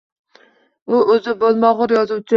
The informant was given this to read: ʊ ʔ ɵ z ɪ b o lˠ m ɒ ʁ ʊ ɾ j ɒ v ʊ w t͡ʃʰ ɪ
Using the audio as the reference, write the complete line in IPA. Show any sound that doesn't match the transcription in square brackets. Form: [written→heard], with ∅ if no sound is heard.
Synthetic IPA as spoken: ʊ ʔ ɵ z ɪ b o lˠ m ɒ ʁ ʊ ɾ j ɒ [v→z] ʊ w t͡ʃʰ ɪ